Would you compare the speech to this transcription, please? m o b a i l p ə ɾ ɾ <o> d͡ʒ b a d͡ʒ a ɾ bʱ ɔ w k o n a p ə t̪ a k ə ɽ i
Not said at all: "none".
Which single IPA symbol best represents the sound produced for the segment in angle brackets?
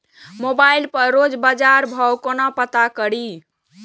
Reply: o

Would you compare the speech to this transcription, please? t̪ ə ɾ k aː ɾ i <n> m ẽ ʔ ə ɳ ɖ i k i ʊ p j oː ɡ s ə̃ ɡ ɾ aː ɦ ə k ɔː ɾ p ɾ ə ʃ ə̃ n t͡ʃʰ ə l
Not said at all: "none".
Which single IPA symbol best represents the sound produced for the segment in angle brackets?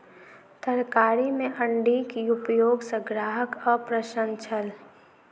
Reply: none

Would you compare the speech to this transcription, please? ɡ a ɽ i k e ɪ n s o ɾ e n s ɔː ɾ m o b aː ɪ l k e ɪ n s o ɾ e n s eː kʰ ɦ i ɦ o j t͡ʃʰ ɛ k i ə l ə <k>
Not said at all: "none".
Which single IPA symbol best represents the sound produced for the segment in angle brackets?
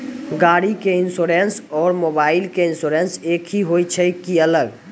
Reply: ɡ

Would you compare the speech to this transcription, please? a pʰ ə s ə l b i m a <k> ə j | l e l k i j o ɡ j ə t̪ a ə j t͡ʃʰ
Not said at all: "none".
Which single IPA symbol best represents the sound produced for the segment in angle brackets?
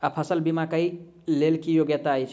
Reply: k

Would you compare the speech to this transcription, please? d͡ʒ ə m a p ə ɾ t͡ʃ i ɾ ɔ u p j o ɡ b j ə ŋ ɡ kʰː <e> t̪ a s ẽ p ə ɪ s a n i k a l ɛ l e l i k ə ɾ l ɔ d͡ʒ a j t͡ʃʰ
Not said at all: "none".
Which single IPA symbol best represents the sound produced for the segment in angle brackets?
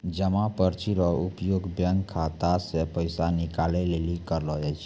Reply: a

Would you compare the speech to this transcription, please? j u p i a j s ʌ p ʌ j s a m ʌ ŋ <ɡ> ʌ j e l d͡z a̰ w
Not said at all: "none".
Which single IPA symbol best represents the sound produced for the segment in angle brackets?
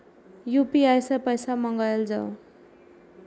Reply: ɡ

